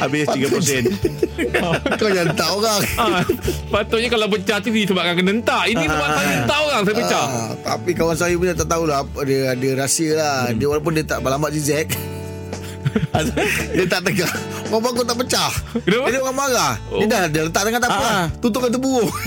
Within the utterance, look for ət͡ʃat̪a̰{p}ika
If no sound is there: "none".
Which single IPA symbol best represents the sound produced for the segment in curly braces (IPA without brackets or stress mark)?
p